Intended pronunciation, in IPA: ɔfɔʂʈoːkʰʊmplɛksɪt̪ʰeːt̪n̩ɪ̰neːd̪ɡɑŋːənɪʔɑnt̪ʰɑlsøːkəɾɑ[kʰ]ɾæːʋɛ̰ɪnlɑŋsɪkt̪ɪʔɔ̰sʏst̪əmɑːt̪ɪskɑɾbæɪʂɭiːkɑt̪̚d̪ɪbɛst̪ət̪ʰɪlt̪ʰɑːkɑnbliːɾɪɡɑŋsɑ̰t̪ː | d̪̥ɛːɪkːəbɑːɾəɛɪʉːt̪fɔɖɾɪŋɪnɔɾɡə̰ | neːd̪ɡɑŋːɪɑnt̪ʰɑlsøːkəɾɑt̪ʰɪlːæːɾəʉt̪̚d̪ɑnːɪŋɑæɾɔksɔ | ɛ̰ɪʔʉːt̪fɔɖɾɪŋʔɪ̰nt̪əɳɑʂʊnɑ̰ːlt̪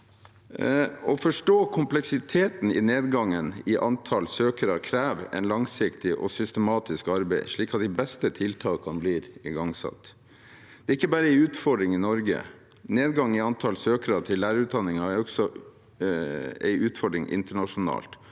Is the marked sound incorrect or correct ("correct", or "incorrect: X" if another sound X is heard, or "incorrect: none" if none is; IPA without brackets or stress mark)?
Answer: correct